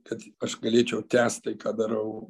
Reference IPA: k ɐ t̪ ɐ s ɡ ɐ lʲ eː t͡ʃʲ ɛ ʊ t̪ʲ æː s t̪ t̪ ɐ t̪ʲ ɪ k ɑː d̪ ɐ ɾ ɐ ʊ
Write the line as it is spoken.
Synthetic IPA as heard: k ɐ t̪ ɐ ʃ ɡ ɐ lʲ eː t͡ʃʲ ɛ ʊ t̪ʲ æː s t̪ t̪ ɐ ɪ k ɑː d̪ ɐ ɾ ɐ ʊ